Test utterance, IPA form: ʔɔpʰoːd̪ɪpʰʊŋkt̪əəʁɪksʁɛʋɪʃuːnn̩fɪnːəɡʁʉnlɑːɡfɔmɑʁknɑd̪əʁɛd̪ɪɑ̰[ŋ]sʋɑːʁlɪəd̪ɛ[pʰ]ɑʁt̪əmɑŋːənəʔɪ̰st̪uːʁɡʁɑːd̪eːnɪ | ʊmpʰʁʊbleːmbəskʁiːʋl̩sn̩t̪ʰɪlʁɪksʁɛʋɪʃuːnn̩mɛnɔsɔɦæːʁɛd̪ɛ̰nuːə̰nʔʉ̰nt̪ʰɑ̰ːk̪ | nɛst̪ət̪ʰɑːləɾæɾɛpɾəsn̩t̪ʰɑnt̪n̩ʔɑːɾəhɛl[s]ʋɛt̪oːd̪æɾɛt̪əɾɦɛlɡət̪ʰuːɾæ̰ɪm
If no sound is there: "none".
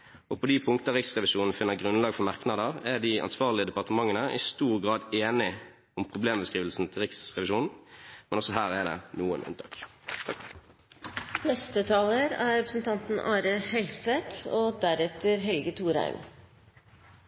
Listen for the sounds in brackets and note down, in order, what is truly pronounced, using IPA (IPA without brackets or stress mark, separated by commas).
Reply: n, p, s